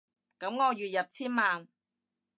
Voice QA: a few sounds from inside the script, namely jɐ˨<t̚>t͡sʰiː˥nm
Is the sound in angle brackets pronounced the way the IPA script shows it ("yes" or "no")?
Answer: no